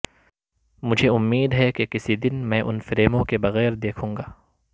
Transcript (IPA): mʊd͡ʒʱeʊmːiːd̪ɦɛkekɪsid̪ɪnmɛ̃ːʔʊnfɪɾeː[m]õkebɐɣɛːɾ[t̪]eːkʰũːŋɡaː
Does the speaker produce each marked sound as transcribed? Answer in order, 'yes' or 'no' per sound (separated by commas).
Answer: yes, no